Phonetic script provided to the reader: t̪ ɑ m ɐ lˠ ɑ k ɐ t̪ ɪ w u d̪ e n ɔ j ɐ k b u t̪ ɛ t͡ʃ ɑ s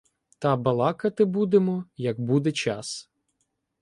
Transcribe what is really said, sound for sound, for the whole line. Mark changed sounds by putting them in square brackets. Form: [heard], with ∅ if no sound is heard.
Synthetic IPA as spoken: t̪ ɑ [b] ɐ lˠ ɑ k ɐ t̪ ɪ [b] u d̪ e [m] ɔ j ɐ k b u [d̪] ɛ t͡ʃ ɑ s